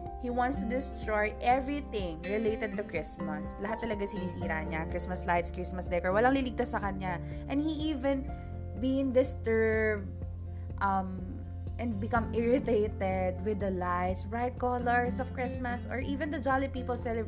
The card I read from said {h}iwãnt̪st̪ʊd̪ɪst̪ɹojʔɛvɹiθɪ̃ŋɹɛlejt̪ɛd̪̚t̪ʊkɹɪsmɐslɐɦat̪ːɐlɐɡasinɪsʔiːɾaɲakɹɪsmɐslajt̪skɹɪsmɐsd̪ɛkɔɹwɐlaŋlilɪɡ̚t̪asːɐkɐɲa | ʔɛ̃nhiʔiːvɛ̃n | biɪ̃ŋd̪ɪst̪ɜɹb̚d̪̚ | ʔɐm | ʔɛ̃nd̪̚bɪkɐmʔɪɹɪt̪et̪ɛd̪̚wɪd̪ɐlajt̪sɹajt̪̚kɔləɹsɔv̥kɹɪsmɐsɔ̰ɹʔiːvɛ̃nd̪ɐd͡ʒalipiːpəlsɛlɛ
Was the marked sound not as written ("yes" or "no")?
no